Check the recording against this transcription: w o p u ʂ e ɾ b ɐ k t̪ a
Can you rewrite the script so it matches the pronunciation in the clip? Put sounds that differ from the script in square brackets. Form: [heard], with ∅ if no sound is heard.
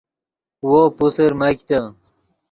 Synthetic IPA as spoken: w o p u [s] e ɾ [m] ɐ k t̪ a